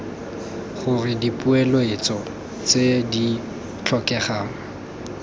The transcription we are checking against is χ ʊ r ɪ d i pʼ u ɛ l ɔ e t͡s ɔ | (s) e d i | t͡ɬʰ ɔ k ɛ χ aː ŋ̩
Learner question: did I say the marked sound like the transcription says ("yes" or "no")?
no